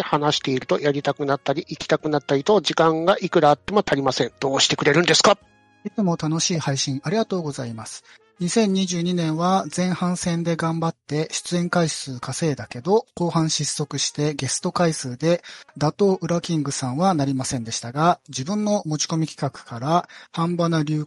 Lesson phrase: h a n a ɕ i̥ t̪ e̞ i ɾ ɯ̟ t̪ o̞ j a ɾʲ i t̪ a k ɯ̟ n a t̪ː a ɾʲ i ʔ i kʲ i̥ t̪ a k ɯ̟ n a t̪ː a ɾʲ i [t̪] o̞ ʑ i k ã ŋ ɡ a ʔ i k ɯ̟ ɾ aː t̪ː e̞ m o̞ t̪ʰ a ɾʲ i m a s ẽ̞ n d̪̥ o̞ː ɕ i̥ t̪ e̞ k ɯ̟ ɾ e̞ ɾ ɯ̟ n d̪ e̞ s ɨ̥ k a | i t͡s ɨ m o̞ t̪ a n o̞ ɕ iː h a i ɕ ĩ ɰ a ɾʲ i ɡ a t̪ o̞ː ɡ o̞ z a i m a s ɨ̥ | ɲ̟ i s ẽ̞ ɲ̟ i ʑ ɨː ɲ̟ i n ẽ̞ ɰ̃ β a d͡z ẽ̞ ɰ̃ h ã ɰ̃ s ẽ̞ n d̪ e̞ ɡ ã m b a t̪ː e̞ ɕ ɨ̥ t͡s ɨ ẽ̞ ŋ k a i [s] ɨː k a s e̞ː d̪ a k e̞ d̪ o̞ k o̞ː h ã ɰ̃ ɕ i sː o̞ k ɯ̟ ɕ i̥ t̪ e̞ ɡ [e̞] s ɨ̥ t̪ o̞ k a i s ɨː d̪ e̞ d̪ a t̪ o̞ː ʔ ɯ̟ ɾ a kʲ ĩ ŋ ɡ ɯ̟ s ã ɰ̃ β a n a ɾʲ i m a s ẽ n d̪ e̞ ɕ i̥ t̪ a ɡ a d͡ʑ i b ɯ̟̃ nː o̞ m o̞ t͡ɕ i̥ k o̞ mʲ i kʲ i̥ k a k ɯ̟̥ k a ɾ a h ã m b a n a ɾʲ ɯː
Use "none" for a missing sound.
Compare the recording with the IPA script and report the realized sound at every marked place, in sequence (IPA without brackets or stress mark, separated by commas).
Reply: t̪, s, e̞